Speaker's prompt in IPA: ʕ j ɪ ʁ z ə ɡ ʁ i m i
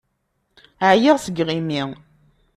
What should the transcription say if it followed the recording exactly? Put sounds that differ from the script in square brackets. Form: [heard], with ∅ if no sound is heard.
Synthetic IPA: ʕ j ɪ ʁ [s] ə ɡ ʁ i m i